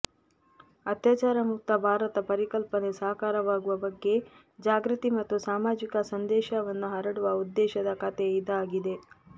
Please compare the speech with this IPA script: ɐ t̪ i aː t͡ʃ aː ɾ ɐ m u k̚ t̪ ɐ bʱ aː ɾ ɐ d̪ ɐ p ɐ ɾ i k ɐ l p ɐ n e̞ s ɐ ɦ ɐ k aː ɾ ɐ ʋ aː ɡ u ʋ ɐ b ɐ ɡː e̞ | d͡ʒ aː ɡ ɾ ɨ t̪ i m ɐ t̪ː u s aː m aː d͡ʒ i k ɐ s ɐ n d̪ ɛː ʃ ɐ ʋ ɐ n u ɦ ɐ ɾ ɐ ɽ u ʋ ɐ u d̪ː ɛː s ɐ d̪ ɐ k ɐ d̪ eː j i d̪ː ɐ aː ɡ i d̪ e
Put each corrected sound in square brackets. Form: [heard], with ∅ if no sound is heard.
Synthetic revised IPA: ɐ t̪ [j] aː t͡ʃ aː ɾ ɐ m u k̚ t̪ ɐ bʱ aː ɾ ɐ [t̪] ɐ p ɐ ɾ i k ɐ l p ɐ n e̞ s ɐ ɦ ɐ k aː ɾ ɐ ʋ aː ɡ u ʋ ɐ b ɐ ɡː e̞ | d͡ʒ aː ɡ ɾ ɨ t̪ i m ɐ t̪ː u s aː m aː d͡ʒ i k ɐ s ɐ n d̪ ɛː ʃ ɐ ʋ ɐ [nː] u ɦ ɐ ɾ ɐ ɽ u ʋ ɐ u d̪ː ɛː [ʃ] ɐ d̪ ɐ k ɐ [t̪] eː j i [d̪] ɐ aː ɡ i d̪ e